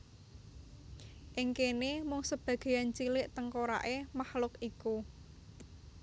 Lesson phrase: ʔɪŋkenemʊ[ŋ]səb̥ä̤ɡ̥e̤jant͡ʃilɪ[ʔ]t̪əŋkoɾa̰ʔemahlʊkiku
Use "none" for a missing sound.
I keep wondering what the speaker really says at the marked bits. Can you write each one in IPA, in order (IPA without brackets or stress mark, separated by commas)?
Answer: ŋ, ʔ